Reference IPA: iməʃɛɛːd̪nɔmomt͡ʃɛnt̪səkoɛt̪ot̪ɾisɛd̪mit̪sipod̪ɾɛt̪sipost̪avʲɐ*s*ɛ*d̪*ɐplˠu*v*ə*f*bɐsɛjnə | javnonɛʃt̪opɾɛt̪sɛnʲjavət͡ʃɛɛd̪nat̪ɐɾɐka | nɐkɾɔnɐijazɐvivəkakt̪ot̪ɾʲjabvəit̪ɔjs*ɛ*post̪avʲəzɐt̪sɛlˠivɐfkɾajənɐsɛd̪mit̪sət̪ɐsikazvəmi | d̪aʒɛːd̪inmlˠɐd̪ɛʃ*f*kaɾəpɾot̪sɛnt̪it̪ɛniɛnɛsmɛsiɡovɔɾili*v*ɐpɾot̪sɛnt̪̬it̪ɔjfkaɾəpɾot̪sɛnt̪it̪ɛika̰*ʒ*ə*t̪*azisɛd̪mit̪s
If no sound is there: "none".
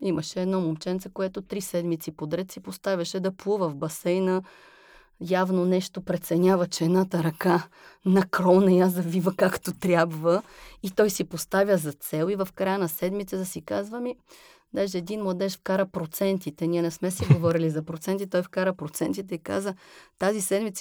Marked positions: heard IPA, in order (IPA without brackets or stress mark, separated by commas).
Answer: ʃ, d̪, v, v, i, f, z, z, t̪